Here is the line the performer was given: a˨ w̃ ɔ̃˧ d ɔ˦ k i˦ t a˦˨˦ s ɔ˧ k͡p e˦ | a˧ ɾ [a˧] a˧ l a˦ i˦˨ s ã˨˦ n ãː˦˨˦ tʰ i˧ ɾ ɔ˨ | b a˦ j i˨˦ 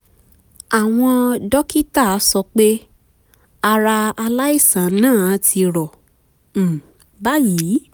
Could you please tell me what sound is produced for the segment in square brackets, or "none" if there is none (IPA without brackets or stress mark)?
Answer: a˧